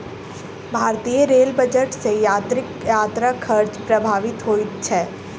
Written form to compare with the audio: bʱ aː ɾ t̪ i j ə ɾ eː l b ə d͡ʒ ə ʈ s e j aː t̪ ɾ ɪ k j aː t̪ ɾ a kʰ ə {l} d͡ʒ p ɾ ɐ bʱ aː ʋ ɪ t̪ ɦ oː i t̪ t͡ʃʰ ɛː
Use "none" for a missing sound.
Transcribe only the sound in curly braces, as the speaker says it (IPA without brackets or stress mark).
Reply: ɾ